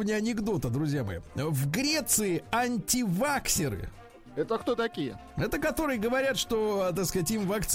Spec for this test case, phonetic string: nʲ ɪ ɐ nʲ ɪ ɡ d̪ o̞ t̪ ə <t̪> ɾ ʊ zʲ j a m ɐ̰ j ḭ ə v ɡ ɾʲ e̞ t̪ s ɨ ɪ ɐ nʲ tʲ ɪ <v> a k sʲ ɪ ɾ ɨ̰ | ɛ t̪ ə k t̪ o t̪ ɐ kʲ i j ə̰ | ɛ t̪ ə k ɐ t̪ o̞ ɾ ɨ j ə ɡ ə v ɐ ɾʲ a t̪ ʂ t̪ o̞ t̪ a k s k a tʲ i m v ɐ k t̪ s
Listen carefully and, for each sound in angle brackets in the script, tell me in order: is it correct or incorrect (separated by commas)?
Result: incorrect, correct